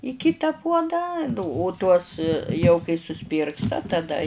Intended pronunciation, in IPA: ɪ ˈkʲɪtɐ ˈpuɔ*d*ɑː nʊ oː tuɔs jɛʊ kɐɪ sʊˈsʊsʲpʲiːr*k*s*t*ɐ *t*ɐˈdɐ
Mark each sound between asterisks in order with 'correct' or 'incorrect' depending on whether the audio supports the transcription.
correct, correct, correct, correct

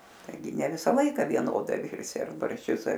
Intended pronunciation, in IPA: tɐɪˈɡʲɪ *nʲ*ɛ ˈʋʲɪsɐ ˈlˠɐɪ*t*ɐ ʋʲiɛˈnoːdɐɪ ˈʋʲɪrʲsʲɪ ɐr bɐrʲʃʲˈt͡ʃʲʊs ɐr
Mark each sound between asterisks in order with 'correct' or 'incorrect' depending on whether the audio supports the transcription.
correct, incorrect: k

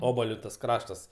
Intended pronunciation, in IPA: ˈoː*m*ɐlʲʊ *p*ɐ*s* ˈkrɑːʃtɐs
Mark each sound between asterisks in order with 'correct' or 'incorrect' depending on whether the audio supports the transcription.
incorrect: b, incorrect: t, correct

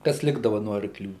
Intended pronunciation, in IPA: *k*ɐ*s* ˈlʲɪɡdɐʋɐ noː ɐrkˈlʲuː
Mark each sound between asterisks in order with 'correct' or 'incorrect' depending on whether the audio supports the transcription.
correct, correct

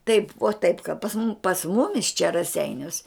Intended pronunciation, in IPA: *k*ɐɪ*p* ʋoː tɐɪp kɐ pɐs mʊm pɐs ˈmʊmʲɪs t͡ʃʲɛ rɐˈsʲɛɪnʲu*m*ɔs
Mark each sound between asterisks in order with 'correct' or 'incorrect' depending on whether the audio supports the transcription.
incorrect: t, correct, incorrect: none

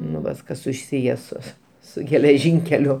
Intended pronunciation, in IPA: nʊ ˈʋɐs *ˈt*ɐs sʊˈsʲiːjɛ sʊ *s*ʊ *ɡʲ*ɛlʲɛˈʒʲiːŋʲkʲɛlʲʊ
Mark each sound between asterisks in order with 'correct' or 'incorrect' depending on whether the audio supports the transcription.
incorrect: k, correct, correct

